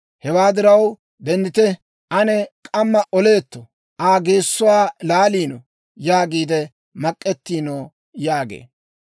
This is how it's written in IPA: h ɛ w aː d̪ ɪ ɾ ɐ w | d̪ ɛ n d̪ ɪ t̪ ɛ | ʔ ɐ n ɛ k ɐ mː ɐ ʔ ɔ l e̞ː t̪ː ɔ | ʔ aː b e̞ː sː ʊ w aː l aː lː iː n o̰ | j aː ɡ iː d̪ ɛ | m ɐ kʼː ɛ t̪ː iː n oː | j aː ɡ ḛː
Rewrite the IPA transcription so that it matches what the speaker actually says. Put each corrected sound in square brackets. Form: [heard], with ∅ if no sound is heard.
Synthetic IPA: h ɛ w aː d̪ ɪ ɾ ɐ w | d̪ ɛ n d̪ ɪ t̪ ɛ | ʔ ɐ n ɛ [kʼ] ɐ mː ɐ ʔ ɔ l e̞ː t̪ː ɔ | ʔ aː [ɡ] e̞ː sː ʊ w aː l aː [l] iː n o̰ | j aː ɡ iː d̪ ɛ | m ɐ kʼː ɛ t̪ː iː n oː | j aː ɡ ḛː